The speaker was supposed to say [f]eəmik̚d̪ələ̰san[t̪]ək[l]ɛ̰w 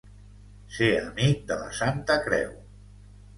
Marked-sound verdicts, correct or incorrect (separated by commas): incorrect, correct, incorrect